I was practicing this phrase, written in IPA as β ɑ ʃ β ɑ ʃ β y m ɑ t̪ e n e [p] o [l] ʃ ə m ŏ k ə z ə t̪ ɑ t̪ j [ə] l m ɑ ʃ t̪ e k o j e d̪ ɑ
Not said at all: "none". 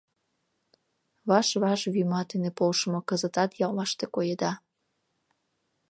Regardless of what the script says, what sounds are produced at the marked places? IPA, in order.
p, l, ɑ

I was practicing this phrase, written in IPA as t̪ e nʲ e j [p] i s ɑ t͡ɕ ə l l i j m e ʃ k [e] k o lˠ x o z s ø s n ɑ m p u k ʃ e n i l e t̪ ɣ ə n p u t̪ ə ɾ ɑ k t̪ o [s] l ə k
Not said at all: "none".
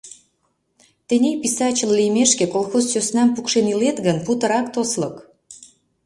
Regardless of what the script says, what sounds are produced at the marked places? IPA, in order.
p, e, s

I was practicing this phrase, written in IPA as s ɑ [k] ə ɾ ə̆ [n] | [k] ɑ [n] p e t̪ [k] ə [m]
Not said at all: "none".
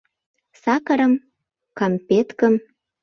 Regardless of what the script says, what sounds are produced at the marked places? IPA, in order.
k, m, k, m, k, m

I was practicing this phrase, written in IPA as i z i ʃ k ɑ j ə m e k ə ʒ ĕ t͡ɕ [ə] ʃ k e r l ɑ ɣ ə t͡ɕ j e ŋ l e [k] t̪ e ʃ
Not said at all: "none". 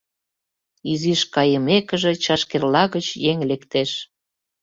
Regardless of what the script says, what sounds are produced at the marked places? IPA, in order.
ɑ, k

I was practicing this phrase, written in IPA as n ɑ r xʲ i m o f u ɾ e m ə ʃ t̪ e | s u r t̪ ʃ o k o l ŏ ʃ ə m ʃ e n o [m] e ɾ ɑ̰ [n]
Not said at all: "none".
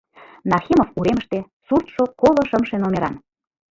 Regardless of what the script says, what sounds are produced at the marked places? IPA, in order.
m, n

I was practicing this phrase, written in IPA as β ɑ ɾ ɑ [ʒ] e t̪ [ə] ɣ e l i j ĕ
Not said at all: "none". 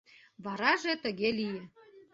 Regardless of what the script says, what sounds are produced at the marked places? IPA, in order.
ʒ, ə

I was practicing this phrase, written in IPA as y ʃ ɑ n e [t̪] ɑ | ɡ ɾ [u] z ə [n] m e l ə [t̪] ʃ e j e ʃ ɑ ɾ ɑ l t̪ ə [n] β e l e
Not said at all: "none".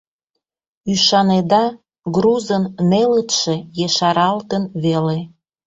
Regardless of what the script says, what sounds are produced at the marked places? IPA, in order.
d̪, u, n, t̪, n

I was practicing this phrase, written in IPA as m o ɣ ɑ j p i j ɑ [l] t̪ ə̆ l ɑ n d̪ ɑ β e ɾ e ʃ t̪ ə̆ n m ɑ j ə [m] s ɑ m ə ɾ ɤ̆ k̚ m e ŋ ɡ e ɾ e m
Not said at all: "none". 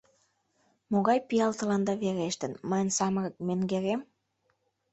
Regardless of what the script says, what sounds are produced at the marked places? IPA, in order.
l, n

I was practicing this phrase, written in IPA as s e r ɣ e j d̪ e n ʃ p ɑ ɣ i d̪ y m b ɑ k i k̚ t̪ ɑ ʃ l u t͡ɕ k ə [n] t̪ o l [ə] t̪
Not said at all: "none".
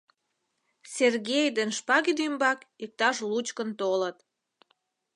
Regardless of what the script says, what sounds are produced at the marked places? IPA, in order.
n, ə

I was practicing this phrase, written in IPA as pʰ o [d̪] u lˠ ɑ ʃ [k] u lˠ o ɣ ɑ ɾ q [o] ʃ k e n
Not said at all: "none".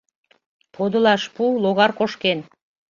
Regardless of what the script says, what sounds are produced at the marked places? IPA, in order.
d̪, p, o

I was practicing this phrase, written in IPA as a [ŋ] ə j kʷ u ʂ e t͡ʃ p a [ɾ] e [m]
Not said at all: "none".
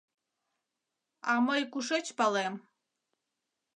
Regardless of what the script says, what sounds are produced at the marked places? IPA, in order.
m, l, m

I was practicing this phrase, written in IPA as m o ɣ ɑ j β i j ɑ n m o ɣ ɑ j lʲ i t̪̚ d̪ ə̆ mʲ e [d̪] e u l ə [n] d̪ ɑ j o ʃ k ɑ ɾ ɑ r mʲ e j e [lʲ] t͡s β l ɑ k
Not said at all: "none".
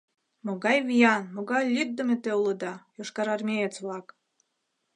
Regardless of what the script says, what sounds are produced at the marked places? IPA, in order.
t̪, none, none

